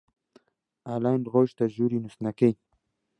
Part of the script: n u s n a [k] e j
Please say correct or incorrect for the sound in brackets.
correct